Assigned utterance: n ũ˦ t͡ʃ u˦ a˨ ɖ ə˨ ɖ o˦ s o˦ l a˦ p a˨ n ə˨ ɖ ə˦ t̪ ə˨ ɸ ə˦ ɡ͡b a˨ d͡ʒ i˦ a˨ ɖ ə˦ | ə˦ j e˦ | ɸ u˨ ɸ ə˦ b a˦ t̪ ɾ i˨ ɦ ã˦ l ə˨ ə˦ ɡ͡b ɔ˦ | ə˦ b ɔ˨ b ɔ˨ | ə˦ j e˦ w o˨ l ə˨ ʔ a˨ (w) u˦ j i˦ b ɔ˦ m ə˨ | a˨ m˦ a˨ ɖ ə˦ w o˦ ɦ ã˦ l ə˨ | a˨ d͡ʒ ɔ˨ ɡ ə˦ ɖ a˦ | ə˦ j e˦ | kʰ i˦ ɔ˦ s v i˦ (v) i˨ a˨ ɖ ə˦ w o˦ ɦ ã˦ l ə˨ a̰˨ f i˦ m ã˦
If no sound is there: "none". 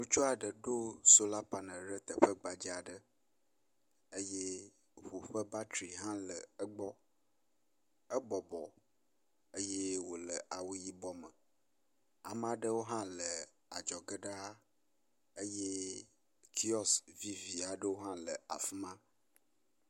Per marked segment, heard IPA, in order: w, v

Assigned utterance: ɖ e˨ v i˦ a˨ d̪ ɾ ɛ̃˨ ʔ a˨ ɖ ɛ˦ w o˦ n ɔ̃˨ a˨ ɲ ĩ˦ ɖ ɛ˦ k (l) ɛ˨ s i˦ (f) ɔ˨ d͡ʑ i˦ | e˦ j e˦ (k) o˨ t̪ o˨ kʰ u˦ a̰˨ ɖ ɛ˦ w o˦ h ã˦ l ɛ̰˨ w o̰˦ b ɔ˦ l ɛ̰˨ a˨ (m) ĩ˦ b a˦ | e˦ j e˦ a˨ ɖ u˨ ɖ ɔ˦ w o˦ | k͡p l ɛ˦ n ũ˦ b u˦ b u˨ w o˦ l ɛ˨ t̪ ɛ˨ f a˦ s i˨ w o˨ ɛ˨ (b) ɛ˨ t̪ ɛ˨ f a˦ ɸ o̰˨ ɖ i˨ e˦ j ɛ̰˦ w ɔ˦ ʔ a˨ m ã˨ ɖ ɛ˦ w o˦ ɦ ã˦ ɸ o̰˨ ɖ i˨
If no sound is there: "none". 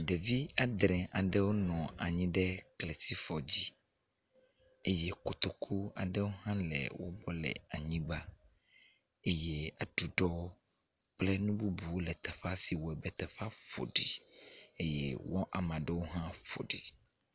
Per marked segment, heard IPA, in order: l, f, k, ɲ, b

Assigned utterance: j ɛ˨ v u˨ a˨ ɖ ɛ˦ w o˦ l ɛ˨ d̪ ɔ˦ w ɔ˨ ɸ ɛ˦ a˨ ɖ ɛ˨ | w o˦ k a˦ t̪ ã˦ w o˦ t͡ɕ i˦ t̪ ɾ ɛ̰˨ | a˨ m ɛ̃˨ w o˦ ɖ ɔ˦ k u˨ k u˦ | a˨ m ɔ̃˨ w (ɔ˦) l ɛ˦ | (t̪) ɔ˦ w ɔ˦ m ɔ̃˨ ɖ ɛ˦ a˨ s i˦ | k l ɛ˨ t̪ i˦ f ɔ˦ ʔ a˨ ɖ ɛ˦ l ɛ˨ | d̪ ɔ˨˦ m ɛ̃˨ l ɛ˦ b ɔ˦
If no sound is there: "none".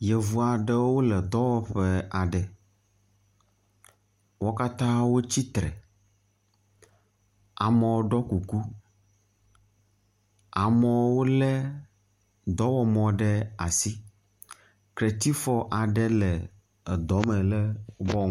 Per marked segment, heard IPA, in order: o˦, d̪

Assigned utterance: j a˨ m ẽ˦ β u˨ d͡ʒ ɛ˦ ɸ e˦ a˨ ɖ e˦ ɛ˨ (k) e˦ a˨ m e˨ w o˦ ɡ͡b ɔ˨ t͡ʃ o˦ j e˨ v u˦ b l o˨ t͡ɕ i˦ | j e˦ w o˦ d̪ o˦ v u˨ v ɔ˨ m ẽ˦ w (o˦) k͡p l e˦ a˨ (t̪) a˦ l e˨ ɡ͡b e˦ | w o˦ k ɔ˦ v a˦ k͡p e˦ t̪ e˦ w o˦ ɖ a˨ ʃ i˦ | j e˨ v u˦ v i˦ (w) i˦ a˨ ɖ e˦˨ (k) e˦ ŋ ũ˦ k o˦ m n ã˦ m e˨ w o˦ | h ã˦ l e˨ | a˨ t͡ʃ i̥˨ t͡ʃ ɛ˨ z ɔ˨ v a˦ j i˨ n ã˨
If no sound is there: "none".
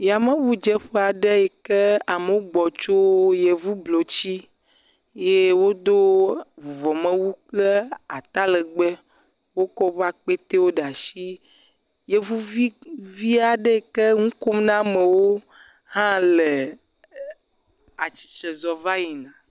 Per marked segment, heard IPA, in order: k, u˦, t̪, v, k

